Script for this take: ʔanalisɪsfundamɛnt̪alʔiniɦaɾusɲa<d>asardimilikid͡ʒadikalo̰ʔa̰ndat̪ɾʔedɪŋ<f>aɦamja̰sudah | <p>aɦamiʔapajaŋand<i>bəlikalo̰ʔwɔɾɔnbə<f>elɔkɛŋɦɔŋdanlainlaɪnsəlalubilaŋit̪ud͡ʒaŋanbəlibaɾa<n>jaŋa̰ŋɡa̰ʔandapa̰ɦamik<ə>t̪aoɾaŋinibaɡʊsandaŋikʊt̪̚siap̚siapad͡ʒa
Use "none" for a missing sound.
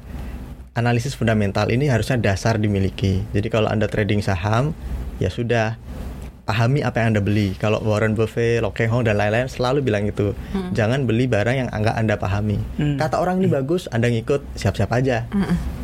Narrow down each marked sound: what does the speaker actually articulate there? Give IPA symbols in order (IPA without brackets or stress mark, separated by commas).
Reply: d, s, p, a, f, ŋ, a